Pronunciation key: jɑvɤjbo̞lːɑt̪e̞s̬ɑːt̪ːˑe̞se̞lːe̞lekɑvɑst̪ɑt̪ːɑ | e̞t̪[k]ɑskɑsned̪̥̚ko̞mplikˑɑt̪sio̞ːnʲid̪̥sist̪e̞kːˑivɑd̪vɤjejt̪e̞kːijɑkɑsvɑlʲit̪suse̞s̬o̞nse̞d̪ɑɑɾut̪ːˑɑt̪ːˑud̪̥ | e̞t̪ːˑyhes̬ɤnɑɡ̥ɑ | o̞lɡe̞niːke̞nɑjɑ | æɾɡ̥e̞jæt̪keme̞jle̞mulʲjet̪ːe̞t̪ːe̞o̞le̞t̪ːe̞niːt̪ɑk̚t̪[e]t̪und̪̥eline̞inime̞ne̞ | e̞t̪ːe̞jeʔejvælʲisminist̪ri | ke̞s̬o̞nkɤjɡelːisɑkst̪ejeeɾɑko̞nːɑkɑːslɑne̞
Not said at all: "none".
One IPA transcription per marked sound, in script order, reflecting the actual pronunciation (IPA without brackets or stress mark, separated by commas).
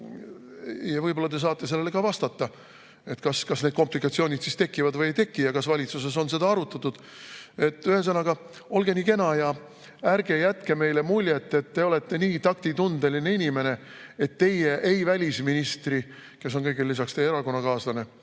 k, i